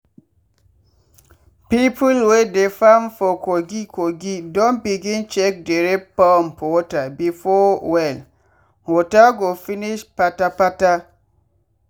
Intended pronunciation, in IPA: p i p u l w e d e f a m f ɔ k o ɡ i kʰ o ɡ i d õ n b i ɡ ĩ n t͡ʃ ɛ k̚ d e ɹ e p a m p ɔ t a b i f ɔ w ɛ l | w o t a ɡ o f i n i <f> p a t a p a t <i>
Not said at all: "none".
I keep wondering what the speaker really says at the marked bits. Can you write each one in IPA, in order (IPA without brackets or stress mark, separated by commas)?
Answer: ʃ, a